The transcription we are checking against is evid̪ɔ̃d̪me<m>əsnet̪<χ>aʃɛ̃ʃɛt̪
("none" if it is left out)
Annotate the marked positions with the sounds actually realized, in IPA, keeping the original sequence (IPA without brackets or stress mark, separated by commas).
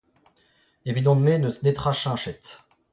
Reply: n, χ